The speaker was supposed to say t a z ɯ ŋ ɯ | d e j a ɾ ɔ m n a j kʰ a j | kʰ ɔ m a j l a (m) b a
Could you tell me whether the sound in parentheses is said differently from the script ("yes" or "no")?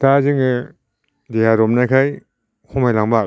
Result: yes